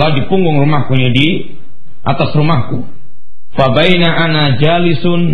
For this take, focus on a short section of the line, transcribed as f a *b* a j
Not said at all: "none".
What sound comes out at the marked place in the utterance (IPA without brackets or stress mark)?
b